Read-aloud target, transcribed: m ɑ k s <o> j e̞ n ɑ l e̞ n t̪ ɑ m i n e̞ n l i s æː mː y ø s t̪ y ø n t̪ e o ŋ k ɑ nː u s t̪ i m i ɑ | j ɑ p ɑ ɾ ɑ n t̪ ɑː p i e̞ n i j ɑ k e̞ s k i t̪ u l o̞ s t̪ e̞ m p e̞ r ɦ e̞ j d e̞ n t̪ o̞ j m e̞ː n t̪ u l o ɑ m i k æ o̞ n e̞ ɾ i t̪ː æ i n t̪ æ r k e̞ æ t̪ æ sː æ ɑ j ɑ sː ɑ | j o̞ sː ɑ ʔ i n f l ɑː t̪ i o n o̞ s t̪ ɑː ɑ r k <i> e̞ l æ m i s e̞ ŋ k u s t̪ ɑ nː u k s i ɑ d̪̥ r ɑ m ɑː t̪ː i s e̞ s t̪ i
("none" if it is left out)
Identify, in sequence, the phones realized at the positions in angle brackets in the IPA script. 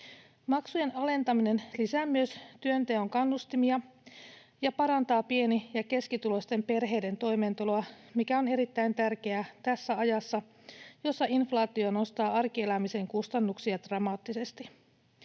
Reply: u, i

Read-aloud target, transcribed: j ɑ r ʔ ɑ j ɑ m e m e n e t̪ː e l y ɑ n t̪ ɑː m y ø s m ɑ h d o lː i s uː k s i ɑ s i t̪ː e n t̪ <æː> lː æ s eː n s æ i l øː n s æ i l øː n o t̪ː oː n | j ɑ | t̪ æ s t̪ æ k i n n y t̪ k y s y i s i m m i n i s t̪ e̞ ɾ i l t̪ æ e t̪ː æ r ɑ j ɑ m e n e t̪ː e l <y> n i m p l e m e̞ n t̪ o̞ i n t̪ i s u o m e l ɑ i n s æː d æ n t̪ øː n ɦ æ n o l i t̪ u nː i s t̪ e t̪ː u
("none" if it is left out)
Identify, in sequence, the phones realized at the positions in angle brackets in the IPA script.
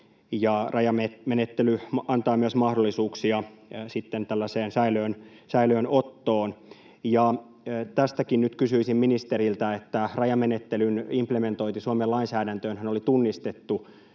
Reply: æ, y

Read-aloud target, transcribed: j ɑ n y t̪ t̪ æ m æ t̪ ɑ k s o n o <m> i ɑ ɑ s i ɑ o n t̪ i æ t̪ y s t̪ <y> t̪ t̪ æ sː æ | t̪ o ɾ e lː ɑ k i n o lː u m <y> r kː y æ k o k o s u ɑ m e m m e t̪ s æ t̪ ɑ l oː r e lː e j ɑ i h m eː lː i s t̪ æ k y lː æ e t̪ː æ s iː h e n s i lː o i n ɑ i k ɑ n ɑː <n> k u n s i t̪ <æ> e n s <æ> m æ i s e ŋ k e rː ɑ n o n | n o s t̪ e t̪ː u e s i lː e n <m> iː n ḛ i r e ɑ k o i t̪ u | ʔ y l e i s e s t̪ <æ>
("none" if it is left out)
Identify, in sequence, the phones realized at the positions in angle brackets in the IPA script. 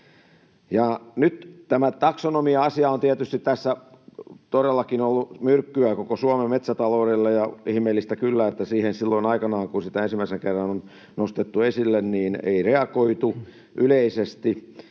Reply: m, i, y, ŋ, æ, i, n, i

